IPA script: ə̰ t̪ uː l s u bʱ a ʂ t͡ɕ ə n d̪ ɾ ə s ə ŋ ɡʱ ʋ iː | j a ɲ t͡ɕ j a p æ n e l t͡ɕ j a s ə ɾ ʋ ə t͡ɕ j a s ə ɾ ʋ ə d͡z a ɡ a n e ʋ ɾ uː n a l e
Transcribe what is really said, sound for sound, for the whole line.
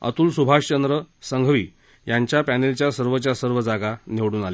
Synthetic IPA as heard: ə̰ t̪ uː l s u bʱ a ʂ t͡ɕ ə n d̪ ɾ ə s ə ŋ ɡʱ ʋ iː | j a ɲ t͡ɕ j a p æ n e l t͡ɕ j a s ə ɾ ʋ ə t͡ɕ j a s ə ɾ ʋ ə d͡z a ɡ a n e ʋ ɽ uː n a l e

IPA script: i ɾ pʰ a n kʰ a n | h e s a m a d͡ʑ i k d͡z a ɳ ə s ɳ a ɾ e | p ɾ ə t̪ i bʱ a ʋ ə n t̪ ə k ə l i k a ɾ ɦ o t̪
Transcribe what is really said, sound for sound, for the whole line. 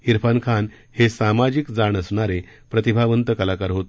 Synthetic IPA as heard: i ɾ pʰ a n kʰ a n | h e s a m a d͡ʑ i k d͡z a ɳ ə s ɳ a ɾ e | p ɾ ə t̪ i bʱ a ʋ ə n t̪ ə k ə l a k a ɾ ɦ o t̪

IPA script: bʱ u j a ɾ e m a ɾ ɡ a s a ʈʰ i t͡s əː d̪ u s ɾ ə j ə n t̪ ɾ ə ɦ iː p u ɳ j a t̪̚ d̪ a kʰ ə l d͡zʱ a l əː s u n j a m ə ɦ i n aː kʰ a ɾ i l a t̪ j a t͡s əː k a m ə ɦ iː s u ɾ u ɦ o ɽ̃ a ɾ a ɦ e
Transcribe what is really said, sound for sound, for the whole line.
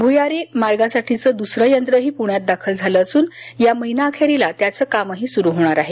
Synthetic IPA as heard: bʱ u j a ɾ e m a ɾ ɡ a s a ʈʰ i t͡s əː d̪ u s ɾ ə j ə n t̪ ɾ ə ɦ iː p u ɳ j a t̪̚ d̪ a kʰ ə l d͡zʱ a l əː s uː n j a m ə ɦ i n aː kʰ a ɾ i l a t̪ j a t͡s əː k a m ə ɦ iː s u ɾ u ɦ o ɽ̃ a ɾ a ɦ e

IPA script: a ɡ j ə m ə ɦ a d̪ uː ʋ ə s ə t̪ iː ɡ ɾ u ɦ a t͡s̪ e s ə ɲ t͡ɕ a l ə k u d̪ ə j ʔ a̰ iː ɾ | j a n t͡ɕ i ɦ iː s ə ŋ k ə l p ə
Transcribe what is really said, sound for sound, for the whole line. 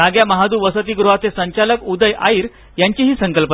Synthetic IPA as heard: a ɡ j a m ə ɦ a d̪ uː ʋ ə s ə t̪ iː ɡ ɾ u ɦ a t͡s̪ e s ə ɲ t͡ɕ a l ə k u d̪ ə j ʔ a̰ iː ɾ | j a ɲ t͡ɕ i ɦ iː s ə ŋ k ə l p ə

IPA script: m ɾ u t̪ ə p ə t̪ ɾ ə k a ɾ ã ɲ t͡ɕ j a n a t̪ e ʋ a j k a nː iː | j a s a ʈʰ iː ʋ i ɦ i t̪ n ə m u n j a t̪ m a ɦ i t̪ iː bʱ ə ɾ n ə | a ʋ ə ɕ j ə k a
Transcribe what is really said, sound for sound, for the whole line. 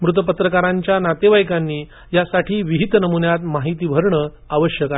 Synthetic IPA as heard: m ɾ u t̪ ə p ə t̪ ɾ ə k a ɾ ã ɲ t͡ɕ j a n a t̪ e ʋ a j k a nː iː | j a s a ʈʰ iː ʋ i ɦ i t̪ n ə m u n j a t̪ m a ɦ i t̪ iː bʱ ə ɾ ɳ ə | a ʋ ə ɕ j ə k a

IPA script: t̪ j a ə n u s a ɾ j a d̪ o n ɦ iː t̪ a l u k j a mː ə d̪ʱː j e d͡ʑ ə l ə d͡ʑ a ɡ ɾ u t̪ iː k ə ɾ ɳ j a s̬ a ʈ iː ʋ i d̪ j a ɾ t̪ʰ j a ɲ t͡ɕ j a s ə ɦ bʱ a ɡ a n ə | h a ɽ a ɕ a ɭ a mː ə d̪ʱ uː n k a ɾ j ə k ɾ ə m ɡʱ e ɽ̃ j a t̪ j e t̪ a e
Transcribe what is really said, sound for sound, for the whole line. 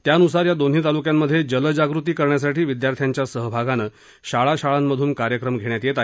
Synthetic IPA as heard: t̪ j a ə n u s a ɾ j a d̪ o n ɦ iː t̪ a l u k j a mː ə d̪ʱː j e d͡ʑ ə l ə d͡ʑ a ɡ ɾ u t̪ iː k ə ɾ ɳ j a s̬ a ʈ iː ʋ i d̪ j a ɾ t̪ʰ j a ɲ t͡ɕ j a s ə ɦ bʱ a ɡ a n ə | ɕ a ɭ a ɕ a ɭ a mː ə d̪ʱ uː n k a ɾ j ə k ɾ ə m ɡʱ e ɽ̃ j a t̪ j e t̪ a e

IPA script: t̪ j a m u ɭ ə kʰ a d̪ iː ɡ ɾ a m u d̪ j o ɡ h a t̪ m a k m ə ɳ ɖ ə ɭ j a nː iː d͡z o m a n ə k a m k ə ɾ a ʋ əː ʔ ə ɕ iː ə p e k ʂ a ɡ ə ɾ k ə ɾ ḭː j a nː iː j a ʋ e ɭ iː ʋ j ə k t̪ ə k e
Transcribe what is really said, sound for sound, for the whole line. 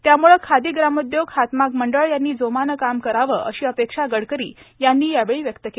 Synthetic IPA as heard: t̪ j a m u ɭ ə kʰ a d̪ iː ɡ ɾ a m u d̪ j o ɡ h a t̪ m a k m ə ɳ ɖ ə ɭ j a nː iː d͡z o m a n ə k a m k ə ɾ a ʋ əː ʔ ə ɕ iː ə p e k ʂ a ɡ ə ɽ k ə ɾ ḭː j a nː iː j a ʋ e ɭ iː ʋ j ə k t̪ ə k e

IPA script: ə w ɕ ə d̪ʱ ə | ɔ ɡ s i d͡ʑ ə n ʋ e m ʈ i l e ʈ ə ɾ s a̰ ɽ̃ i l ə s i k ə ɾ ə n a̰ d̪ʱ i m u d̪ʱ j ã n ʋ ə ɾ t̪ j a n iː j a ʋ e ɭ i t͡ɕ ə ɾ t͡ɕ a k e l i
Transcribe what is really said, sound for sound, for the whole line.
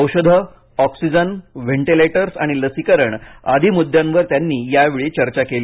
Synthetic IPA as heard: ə w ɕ ə d̪ʱ ə | ɔ k s i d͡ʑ ə n ʋ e ɳ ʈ i l e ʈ ə ɾ s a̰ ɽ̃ i l ə s i k ə ɾ ə ɳ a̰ d̪ʱ i m u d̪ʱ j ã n ʋ ə ɾ t̪ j a nː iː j a ʋ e ɭ i t͡ɕ ə ɾ t͡ɕ a k e l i

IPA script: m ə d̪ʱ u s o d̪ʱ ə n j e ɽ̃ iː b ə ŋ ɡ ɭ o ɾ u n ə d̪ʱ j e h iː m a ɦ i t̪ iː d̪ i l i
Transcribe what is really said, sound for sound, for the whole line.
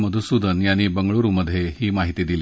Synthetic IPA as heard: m ə d̪ʱ u s u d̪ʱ ə n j a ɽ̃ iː b ə ŋ ɡ ɭ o ɾ u m ə d̪ʱ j e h iː m a ɦ i t̪ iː d̪ i l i

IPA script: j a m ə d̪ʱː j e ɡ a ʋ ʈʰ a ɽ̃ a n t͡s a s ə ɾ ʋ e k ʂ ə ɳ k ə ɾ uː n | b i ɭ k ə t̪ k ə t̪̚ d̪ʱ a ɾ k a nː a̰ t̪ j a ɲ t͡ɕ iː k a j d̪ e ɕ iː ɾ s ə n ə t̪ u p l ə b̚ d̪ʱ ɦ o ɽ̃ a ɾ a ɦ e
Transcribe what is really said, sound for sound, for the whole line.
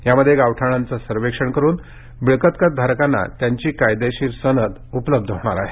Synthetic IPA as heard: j a m ə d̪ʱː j e ɡ a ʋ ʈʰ a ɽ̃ a n t͡s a s ə ɾ ʋ e k ʂ ə ɳ k ə ɾ uː n | b i ɭ k ə t̪ k ə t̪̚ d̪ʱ a ɾ k a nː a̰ t̪ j a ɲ t͡ɕ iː k a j d̪ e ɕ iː ɾ s ə n ə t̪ u p l ə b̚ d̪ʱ ɦ o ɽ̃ a ɾ a ɦ e

